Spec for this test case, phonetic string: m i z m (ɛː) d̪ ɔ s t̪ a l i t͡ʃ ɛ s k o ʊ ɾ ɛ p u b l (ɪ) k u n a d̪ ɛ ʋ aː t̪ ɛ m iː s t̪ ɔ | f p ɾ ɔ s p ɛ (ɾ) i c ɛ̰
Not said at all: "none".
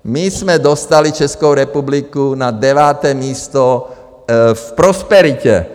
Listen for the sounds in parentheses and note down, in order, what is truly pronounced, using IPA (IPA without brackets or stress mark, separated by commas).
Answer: ɛ, i, ɾ